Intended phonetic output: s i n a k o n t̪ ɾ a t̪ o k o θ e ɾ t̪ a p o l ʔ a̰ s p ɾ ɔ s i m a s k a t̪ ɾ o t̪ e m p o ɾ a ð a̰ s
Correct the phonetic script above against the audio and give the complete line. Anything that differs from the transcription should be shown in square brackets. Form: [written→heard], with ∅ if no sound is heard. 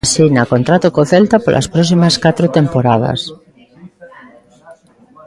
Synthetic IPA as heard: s i n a k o n t̪ ɾ a t̪ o k o θ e [ɾ→l] t̪ a p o l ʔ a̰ s p ɾ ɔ s i m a s k a t̪ ɾ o t̪ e m p o ɾ a ð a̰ s